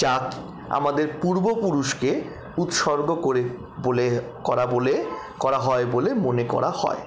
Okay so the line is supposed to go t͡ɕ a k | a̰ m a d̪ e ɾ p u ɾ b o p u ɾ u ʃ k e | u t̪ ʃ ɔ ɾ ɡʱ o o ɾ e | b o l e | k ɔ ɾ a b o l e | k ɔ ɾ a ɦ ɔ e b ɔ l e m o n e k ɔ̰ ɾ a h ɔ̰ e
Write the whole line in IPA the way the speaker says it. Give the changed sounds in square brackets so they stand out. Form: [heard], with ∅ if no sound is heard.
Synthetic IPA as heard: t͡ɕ a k | a̰ m a d̪ e ɾ p u ɾ b o p u ɾ u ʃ k e | u t̪ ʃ ɔ ɾ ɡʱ o o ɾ e | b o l e | k ɔ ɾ a b o l e | k ɔ ɾ a ɦ ɔ e b [o] l e m o n e k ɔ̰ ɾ a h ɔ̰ e